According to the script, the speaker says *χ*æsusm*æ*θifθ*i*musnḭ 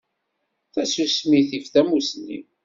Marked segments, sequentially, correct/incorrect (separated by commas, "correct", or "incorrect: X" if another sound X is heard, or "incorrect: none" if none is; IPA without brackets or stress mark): incorrect: θ, incorrect: i, incorrect: æ